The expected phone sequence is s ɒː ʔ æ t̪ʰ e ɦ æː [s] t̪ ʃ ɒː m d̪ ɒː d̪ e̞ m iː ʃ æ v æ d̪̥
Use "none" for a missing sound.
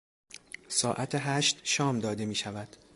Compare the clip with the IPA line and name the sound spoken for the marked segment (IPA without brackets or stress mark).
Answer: ʃ